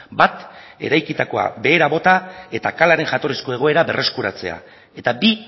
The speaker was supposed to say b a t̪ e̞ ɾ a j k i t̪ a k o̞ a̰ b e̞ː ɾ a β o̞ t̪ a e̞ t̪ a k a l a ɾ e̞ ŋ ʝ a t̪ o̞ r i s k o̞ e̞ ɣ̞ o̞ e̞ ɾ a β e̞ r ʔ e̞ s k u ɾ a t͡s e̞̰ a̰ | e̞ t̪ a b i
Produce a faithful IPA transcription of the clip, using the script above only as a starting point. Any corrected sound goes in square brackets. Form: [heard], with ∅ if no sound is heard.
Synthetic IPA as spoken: b a t̪ e̞ ɾ a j k i t̪ a k o̞ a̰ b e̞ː ɾ a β o̞ t̪ a e̞ t̪ a k a l a ɾ e̞ ŋ ʝ a t̪ o̞ r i s k o̞ e̞ ɣ̞ o̞ e̞ ɾ a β e̞ r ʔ e̞ s k u ɾ a t͡s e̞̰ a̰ | e̞ t̪ a b i